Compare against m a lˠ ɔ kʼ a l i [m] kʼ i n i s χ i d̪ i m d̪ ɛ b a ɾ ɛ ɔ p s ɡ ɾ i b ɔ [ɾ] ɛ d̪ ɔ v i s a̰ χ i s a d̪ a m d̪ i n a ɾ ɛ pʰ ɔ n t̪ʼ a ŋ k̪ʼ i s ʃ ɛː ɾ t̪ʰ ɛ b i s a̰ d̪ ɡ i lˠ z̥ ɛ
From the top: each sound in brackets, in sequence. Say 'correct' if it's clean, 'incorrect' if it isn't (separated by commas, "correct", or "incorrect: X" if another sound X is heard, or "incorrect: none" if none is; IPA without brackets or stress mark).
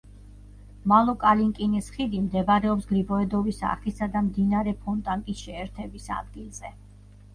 incorrect: ŋ, incorrect: none